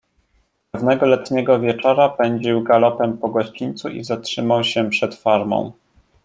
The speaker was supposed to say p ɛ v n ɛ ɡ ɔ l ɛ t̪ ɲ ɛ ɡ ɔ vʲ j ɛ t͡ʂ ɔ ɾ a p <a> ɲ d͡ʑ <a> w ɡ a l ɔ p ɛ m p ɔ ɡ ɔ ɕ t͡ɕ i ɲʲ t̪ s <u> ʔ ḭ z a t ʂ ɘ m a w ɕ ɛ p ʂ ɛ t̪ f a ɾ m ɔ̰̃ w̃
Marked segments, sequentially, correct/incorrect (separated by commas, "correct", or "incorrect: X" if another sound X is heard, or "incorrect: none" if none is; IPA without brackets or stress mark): incorrect: ɛ, incorrect: i, correct